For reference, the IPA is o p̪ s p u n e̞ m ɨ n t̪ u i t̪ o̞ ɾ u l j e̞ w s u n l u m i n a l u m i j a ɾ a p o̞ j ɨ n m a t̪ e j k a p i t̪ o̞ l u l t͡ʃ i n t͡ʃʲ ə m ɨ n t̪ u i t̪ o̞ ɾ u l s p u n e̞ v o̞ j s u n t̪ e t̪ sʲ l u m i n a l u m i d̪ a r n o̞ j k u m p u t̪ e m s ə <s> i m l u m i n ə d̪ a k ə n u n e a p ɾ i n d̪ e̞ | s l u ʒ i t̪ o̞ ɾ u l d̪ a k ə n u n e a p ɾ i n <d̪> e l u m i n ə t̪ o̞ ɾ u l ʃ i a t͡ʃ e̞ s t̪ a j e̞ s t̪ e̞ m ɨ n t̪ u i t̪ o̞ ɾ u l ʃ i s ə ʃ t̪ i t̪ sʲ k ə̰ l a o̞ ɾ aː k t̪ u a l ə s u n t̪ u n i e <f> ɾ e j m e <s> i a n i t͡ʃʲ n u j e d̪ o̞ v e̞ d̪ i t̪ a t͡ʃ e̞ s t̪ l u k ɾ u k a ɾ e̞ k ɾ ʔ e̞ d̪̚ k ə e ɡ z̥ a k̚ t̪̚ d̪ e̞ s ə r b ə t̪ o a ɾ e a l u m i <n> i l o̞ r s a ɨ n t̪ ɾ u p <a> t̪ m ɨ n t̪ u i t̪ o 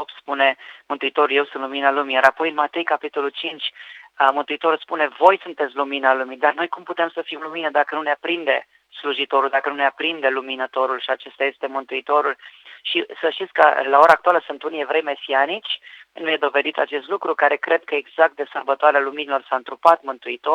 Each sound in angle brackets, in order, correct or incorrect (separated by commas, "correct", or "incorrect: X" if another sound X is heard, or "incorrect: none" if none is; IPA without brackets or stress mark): incorrect: f, correct, incorrect: v, correct, correct, correct